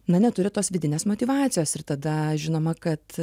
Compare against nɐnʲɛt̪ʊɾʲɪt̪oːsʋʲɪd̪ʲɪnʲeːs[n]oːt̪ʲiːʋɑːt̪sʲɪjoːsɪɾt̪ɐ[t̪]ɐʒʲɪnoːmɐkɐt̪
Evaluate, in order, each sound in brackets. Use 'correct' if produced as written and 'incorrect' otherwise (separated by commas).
incorrect, incorrect